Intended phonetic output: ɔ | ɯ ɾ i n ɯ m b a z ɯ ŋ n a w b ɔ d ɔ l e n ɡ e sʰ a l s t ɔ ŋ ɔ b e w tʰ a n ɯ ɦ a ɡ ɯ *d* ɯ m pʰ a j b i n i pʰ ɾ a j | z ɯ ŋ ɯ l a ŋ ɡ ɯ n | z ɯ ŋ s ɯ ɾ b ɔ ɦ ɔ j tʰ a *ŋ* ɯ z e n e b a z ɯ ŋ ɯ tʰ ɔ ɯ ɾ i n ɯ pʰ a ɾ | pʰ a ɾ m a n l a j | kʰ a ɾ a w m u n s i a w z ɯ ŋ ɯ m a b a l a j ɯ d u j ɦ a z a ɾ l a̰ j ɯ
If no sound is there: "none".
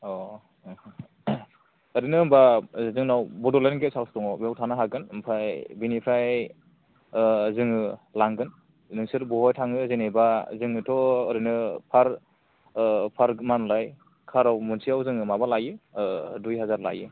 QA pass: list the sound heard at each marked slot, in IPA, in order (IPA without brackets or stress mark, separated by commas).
n, ŋ